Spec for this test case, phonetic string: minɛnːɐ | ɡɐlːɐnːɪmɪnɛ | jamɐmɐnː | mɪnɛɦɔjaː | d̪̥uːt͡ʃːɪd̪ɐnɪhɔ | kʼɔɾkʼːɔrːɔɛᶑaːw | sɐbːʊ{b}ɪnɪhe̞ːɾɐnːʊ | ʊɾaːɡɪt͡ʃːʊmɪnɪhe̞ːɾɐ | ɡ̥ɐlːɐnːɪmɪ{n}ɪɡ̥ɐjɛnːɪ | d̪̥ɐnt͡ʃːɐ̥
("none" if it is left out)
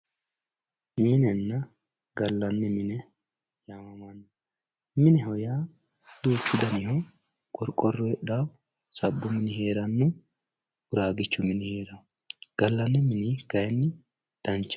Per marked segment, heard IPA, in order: m, n

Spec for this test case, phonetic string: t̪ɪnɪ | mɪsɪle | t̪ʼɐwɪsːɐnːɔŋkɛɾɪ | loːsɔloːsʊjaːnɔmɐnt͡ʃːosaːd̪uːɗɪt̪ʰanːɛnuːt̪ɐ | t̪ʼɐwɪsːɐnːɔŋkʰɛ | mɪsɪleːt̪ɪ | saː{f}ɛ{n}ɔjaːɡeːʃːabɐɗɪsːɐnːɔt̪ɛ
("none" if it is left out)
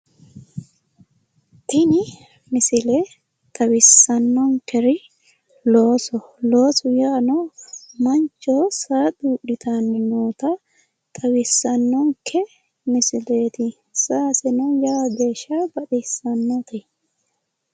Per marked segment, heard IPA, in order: s, n

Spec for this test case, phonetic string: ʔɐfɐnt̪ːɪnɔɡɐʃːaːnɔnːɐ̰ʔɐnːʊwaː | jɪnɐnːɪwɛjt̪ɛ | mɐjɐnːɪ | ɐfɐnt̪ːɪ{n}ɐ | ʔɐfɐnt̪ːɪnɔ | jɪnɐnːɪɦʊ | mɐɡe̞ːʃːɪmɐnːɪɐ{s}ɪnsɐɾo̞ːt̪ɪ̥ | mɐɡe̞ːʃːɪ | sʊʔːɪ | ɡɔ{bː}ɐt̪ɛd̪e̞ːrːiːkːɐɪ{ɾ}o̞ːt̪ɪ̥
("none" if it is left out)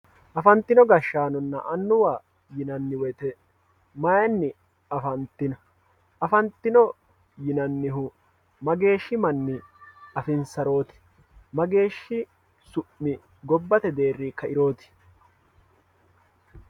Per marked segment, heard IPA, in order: n, f, bː, ɾ

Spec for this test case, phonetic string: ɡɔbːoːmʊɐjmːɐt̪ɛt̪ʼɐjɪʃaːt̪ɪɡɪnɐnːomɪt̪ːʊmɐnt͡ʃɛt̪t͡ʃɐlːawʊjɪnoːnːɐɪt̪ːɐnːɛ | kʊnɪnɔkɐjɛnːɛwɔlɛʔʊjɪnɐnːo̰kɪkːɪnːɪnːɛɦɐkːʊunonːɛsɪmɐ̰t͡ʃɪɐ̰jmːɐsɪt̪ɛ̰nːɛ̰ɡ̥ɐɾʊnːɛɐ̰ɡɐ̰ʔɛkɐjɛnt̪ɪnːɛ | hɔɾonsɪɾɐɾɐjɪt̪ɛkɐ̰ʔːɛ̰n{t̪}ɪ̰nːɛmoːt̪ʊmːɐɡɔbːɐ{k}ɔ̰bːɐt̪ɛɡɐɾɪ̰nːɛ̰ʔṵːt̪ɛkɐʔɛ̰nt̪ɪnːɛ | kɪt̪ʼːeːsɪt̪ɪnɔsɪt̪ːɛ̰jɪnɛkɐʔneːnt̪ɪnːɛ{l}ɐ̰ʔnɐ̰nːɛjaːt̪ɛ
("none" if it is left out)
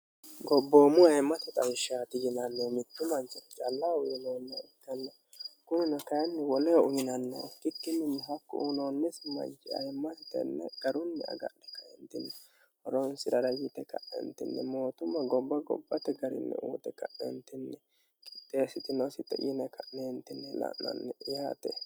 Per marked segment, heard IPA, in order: t̪, ɡ, l

